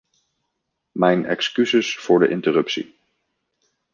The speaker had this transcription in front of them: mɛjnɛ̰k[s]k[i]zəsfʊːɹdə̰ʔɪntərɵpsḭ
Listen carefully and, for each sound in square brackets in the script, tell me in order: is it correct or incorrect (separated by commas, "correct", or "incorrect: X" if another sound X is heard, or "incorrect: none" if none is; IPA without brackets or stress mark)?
correct, incorrect: y